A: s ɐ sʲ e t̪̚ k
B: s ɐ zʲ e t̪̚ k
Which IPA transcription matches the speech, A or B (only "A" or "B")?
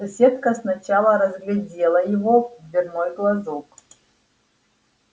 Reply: A